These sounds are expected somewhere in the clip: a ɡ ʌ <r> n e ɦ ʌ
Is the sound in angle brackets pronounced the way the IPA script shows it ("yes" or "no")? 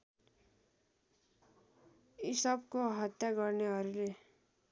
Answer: no